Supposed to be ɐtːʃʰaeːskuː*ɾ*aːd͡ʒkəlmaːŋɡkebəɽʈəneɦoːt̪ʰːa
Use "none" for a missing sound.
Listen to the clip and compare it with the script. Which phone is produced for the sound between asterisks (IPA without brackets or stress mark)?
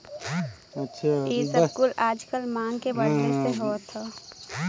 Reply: l